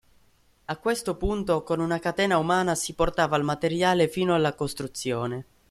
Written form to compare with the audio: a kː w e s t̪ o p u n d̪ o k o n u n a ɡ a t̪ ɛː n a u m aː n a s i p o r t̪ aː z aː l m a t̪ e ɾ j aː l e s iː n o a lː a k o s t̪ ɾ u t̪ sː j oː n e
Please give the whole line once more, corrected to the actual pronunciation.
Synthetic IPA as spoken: a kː w e s t̪ o p u n t̪ o k o n u n a k a t̪ ɛː n a u m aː n a s i p o r t̪ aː v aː l m a t̪ e ɾ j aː l e f iː n o a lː a k o s t̪ ɾ u t̪ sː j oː n e